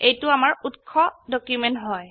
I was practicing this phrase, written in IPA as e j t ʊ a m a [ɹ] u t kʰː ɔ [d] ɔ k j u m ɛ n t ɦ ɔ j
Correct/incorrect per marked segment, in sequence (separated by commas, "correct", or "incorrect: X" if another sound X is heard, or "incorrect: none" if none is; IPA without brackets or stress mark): correct, correct